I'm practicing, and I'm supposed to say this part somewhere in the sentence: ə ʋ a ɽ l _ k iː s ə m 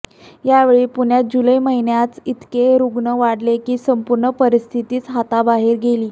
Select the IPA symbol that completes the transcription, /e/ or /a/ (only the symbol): e